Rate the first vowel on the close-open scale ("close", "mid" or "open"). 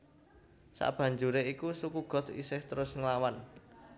open